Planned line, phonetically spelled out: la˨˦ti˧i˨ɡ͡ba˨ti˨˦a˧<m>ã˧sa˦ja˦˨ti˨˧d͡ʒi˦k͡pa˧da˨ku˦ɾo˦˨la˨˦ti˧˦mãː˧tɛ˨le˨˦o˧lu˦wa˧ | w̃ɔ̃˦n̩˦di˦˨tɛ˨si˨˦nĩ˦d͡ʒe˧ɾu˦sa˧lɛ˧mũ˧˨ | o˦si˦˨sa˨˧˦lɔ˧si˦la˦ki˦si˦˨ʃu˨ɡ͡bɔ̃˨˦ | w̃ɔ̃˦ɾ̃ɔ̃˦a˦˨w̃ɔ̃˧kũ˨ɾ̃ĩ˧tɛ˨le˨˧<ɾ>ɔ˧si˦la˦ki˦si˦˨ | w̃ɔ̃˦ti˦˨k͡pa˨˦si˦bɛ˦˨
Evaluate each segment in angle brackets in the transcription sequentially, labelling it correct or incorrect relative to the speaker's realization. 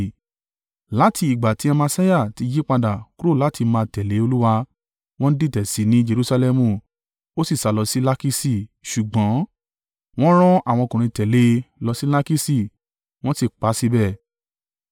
correct, incorrect: l

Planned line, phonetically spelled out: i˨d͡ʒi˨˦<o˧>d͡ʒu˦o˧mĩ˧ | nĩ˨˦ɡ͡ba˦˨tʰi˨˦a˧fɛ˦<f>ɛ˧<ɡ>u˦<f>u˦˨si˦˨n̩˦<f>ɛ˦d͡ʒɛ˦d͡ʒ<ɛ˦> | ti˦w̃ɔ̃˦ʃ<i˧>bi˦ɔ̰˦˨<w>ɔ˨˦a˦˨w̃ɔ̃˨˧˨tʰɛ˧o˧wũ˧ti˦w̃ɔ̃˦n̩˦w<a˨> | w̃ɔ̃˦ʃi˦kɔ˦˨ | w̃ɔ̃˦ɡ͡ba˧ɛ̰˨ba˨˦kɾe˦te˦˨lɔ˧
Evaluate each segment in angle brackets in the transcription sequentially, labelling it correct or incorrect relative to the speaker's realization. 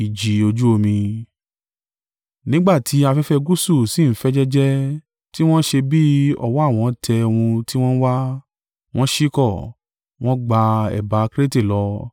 correct, correct, correct, incorrect: s, correct, correct, incorrect: e˧, correct, incorrect: a˦

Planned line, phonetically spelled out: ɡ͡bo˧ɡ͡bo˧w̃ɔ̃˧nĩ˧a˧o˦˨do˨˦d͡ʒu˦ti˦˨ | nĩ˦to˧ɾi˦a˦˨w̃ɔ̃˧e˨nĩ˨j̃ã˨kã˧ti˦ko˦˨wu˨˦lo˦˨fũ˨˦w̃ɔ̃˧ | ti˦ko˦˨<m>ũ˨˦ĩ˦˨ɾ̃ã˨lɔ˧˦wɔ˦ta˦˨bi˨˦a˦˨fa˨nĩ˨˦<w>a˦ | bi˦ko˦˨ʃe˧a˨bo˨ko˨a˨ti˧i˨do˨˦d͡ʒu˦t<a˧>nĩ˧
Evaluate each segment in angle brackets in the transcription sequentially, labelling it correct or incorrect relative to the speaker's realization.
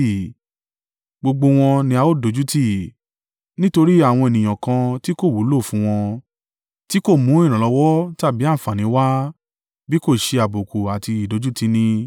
correct, correct, incorrect: i˧

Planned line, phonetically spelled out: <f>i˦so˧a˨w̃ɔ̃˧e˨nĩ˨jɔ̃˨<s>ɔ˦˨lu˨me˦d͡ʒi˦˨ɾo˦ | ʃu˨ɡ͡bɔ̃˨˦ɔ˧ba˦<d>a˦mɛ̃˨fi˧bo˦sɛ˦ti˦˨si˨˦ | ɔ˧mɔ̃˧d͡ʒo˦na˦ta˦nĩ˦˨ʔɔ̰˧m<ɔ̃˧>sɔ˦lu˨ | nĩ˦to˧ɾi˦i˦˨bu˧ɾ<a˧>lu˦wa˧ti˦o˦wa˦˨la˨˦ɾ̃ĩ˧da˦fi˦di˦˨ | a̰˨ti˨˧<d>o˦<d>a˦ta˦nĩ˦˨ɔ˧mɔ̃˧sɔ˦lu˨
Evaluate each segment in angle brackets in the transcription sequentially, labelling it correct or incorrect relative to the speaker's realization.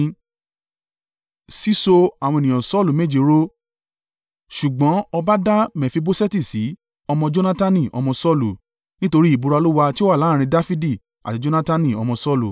incorrect: s, correct, correct, correct, correct, incorrect: d͡ʒ, incorrect: n

